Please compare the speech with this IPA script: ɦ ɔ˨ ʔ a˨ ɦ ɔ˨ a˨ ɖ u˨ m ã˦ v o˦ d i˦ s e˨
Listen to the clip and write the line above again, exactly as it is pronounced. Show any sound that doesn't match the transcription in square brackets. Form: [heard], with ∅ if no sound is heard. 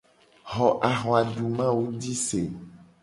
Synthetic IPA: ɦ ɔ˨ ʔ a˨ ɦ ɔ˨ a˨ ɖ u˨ m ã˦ [w] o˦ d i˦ s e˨